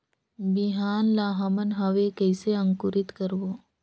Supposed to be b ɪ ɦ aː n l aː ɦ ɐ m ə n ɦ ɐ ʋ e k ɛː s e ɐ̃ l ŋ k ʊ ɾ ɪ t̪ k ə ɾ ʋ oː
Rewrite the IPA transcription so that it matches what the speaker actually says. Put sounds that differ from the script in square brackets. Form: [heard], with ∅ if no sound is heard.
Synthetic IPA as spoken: b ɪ ɦ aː n l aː ɦ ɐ m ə n ɦ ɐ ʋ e k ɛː s e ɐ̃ [∅] ŋ k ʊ ɾ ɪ t̪ k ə ɾ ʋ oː